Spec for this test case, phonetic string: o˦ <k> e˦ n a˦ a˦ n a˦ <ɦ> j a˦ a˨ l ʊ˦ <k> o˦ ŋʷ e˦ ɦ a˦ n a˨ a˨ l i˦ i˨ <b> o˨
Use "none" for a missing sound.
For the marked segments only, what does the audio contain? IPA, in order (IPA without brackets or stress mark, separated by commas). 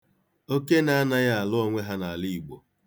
k, none, none, ɡ͡b